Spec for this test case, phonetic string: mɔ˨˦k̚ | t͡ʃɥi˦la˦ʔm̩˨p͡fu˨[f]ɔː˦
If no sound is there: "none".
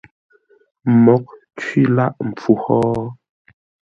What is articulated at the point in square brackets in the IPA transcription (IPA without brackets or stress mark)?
h